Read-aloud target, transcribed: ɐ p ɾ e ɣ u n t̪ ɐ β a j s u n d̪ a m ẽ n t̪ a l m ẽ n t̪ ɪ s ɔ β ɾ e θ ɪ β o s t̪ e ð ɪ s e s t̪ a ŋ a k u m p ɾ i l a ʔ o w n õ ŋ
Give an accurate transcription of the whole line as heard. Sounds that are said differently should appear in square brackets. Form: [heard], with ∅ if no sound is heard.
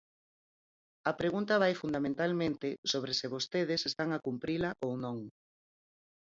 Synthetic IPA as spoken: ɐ p ɾ e ɣ u n t̪ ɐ β a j [f] u n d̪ a m ẽ n t̪ a l m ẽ n t̪ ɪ s [o] β ɾ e [s] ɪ β o s t̪ e ð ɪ s e s t̪ a ŋ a k u m p ɾ i l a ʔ o w n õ ŋ